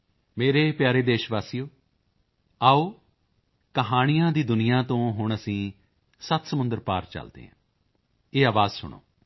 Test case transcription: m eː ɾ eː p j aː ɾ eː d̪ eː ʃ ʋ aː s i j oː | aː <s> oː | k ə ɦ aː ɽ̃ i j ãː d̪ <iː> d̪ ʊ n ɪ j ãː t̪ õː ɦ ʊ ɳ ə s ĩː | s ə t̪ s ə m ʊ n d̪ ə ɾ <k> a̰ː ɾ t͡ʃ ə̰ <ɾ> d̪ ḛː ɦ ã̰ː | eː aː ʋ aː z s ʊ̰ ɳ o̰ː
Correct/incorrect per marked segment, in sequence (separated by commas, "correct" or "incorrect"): incorrect, correct, incorrect, incorrect